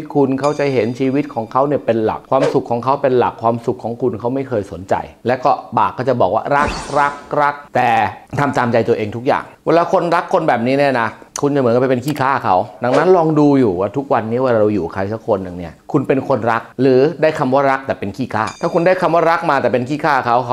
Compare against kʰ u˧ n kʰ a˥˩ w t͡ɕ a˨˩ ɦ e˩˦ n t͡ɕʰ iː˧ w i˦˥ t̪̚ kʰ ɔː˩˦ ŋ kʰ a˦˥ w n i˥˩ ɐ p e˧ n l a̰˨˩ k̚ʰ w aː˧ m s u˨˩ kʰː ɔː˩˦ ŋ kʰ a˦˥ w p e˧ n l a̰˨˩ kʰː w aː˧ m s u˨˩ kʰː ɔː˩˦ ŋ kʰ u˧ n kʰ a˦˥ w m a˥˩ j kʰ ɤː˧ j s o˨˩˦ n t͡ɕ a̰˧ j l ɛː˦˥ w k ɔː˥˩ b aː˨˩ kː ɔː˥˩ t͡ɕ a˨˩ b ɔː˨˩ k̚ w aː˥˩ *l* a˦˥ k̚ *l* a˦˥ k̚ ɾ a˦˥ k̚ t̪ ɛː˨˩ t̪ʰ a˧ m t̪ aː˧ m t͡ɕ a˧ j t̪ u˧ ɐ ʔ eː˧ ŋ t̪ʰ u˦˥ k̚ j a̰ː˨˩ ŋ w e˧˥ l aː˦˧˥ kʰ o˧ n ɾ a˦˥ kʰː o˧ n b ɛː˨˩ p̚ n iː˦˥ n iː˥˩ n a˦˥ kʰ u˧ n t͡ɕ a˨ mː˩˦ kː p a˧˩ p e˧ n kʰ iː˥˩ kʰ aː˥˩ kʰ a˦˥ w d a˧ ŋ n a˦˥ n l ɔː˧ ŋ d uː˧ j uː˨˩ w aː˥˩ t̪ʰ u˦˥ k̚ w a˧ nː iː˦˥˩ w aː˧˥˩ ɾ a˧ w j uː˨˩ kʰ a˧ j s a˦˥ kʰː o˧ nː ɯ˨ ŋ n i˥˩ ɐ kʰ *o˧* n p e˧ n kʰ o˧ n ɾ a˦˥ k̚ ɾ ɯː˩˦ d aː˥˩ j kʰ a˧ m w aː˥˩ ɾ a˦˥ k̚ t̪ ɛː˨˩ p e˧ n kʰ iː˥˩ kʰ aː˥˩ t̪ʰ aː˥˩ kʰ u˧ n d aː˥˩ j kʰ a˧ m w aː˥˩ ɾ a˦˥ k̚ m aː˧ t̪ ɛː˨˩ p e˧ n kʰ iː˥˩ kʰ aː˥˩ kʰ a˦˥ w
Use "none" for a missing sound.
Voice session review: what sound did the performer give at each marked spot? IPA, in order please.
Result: ɾ, ɾ, u˧

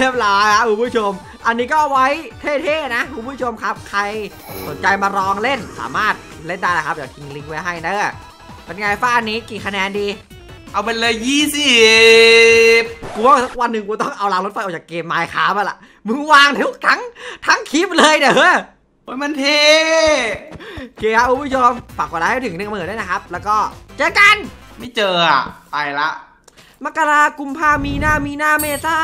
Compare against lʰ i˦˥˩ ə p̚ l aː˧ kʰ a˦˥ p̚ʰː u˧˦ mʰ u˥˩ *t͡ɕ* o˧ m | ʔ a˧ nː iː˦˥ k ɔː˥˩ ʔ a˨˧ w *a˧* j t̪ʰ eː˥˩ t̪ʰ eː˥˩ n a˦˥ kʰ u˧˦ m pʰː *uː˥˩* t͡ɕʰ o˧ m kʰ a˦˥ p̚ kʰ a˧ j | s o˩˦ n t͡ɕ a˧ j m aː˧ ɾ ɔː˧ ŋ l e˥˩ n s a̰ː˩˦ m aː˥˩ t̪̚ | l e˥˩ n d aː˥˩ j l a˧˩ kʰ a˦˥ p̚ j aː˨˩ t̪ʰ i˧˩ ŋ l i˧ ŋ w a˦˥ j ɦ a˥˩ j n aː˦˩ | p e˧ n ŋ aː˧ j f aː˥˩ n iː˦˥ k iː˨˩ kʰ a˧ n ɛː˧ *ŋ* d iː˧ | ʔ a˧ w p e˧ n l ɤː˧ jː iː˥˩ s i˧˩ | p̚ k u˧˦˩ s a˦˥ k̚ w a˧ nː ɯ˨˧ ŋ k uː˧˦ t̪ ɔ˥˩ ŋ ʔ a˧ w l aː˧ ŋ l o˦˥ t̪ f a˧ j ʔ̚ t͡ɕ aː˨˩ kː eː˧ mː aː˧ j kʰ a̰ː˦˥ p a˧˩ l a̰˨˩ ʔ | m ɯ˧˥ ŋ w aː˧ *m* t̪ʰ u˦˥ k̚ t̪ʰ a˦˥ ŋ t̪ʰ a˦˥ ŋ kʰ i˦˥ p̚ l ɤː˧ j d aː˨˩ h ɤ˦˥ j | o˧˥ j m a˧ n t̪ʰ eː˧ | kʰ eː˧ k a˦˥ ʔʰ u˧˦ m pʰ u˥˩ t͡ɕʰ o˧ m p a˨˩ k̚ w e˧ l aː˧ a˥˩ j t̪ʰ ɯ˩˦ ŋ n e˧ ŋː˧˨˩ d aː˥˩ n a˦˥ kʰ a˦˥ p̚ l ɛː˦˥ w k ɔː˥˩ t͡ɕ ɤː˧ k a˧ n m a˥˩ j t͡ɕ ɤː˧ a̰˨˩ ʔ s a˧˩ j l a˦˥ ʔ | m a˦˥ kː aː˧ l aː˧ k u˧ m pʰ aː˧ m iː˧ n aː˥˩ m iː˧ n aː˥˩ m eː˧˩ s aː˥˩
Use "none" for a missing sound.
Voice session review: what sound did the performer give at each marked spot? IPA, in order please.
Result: t͡ɕʰ, a˦˥, u˥˩, n, ŋ

